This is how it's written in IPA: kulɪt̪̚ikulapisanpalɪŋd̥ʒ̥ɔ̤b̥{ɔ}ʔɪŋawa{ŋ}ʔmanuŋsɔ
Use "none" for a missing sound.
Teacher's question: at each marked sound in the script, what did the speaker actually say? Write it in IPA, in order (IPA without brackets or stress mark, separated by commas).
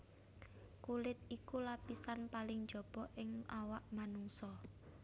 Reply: ɔ, none